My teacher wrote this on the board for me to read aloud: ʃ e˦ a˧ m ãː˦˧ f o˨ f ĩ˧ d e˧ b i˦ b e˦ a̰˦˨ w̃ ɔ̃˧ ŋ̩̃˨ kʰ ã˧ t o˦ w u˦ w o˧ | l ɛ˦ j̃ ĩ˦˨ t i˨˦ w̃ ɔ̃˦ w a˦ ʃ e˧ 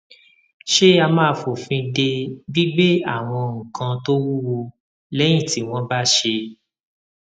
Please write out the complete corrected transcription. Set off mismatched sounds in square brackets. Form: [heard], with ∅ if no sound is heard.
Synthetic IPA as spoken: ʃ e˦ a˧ m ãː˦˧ f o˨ f ĩ˧ d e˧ b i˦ [ɡ͡b] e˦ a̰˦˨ w̃ ɔ̃˧ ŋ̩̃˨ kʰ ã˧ t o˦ w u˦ w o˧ | l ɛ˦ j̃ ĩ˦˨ t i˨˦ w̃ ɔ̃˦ [b] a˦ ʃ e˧